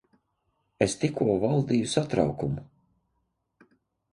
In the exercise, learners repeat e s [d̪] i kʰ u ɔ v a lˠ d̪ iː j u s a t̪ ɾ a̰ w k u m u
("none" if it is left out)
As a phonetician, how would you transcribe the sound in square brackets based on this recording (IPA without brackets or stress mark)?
t̪